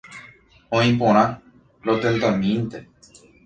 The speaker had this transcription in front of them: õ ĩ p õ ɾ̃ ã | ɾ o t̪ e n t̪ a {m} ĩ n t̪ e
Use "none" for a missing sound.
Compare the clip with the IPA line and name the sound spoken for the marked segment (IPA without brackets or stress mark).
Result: m